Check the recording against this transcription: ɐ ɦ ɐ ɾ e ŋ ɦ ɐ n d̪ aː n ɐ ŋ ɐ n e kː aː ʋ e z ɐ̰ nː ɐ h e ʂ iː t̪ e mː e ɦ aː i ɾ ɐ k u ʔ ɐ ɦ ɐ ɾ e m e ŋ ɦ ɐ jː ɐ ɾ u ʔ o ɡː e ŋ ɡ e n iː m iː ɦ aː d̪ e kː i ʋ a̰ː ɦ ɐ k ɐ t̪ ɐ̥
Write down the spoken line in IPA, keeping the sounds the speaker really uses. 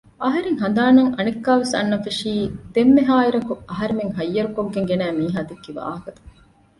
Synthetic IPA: ɐ ɦ ɐ ɾ e ŋ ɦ ɐ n d̪ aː n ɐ ŋ ɐ n e kː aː ʋ e s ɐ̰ nː ɐ f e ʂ iː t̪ e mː e ɦ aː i ɾ ɐ k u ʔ ɐ ɦ ɐ ɾ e m e ŋ ɦ ɐ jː ɐ ɾ u k o ɡː e ŋ ɡ e n æː m iː ɦ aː d̪ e kː i ʋ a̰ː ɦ ɐ k ɐ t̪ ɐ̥